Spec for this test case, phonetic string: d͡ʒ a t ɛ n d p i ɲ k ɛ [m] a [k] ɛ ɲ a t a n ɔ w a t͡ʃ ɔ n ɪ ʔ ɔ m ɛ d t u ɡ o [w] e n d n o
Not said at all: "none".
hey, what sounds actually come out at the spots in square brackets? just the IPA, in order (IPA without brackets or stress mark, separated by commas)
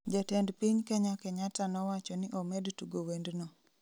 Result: ɲ, k, w